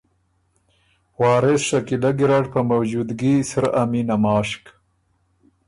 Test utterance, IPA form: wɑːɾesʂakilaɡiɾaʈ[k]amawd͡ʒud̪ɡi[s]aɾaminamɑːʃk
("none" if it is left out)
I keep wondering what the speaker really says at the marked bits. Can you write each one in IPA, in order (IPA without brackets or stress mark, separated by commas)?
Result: p, s